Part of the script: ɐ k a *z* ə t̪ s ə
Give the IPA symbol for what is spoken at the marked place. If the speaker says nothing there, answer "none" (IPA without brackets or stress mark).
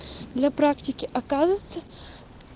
z